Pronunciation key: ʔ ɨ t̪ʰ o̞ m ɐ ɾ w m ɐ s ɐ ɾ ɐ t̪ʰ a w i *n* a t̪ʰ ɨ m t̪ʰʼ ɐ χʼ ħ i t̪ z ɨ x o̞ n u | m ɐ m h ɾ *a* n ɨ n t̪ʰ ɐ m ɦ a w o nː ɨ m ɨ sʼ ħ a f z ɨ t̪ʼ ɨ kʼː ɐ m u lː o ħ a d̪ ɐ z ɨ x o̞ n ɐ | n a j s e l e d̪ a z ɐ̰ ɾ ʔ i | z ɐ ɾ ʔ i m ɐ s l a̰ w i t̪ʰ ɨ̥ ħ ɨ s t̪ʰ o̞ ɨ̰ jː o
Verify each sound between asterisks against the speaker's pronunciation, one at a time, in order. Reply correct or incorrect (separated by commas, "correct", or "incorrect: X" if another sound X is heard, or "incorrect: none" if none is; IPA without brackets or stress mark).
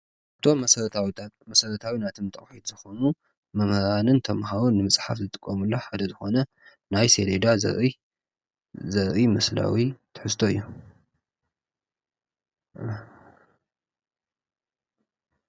correct, correct